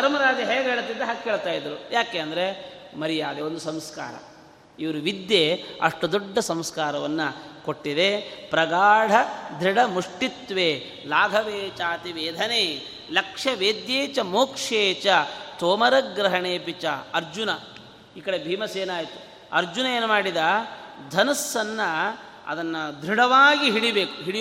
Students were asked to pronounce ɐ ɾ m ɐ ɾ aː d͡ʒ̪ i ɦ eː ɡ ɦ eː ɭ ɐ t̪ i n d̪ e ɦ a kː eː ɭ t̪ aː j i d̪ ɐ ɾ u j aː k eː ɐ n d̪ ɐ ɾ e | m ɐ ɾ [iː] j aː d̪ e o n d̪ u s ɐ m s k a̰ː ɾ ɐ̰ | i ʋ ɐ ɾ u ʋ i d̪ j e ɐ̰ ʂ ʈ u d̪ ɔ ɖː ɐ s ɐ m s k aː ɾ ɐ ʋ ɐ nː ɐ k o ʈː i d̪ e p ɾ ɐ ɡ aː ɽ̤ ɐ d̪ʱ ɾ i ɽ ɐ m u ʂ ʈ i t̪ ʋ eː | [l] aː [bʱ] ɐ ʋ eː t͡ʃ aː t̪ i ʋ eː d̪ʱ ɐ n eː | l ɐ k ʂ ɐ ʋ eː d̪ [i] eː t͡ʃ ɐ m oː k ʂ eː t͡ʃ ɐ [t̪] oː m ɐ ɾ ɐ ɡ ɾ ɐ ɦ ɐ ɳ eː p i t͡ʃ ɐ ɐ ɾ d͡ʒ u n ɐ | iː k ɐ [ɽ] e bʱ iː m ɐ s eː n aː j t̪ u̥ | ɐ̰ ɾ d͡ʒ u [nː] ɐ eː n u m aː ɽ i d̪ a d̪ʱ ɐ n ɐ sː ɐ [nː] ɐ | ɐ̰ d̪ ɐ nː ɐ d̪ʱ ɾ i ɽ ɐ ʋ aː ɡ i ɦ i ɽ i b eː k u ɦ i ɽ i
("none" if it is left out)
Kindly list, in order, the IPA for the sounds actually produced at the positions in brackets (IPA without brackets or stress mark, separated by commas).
i, l, ɡʱ, j, t̪, ɽ, n, nː